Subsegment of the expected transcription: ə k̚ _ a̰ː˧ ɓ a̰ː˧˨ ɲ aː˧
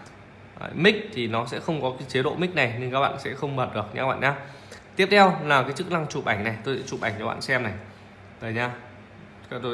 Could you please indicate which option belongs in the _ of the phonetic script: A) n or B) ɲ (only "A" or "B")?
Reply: B